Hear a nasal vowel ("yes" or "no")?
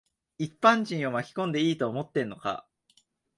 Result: yes